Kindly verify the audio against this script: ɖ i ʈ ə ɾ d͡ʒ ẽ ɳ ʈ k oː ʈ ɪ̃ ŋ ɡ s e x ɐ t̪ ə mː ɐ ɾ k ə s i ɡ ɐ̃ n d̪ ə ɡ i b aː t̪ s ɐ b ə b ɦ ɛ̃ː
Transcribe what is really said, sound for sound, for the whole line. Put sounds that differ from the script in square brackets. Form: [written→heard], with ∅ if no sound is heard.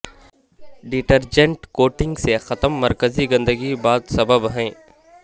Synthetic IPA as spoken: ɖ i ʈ ə ɾ d͡ʒ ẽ ɳ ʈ k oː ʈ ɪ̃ ŋ ɡ s e x ɐ t̪ ə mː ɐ ɾ k ə [s→z] i ɡ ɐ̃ n d̪ ə ɡ i b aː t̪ s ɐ b ə b ɦ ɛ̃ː